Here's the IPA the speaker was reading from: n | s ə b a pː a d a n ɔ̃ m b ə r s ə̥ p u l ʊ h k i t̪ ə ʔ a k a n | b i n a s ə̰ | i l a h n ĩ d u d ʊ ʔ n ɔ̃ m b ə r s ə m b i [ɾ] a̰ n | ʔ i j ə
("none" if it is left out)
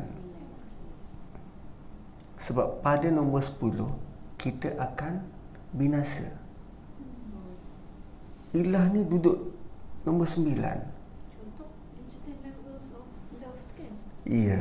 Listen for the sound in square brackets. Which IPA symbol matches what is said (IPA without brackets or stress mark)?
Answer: l